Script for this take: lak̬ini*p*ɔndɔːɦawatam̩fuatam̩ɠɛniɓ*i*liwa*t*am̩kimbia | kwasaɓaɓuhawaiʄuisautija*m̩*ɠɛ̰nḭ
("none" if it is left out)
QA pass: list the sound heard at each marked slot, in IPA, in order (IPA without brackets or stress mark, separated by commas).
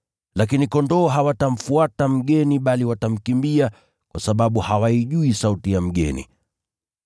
k, a, t, m̩